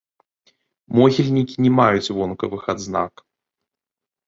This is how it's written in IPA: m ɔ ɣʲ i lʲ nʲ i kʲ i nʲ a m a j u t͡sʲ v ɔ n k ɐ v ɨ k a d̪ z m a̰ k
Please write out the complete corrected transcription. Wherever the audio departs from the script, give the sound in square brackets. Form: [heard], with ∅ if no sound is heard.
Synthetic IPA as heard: m ɔ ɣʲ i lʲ nʲ i kʲ i nʲ [ɛ] m a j u t͡sʲ v ɔ n k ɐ v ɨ [x] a d̪ z [n] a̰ k